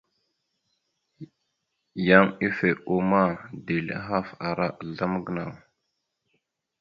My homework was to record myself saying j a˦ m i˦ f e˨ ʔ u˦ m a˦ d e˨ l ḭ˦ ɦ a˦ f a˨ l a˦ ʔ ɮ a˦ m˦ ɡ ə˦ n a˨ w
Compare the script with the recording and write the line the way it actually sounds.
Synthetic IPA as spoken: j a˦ m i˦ f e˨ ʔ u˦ m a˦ d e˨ l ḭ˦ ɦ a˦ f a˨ ɾ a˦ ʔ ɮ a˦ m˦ ɡ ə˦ n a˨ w